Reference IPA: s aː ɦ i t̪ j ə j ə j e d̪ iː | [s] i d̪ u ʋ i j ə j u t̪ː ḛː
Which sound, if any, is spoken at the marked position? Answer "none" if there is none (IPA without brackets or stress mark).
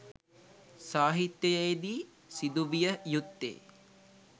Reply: s